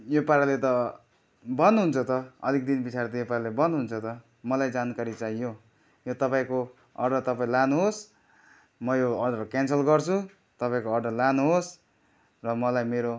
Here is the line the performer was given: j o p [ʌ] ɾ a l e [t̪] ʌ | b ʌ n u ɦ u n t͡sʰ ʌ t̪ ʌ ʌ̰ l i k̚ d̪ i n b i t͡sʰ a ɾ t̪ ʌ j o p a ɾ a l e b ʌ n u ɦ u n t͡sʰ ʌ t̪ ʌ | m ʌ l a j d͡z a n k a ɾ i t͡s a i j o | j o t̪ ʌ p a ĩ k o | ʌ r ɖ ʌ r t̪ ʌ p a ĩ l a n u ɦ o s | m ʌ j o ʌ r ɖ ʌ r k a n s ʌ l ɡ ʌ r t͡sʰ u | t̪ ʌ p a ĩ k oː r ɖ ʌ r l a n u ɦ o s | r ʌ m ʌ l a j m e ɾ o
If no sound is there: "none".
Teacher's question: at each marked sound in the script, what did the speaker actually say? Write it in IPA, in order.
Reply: a, t̪

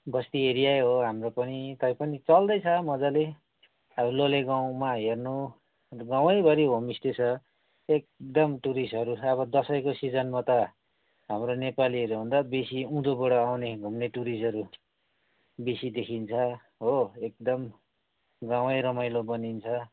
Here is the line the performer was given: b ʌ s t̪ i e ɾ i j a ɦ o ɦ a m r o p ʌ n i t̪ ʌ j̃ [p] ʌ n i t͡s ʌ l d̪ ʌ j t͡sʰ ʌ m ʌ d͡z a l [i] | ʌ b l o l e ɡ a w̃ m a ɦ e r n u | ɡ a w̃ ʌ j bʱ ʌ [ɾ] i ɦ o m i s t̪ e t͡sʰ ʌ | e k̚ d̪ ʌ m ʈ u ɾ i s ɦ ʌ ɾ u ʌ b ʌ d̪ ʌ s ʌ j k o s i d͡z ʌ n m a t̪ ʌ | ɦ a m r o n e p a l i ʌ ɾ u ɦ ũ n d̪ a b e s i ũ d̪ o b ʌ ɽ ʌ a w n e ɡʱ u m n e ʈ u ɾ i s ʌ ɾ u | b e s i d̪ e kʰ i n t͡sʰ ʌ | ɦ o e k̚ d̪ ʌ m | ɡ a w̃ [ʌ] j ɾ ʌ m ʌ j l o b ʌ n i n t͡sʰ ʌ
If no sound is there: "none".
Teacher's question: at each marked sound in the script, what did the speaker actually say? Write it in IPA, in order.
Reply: p, e, ɾ, ʌ

